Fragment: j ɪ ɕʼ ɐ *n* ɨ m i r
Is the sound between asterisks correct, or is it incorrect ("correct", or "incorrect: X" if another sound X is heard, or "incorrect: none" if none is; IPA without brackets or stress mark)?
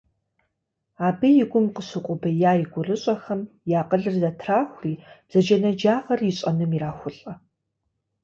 correct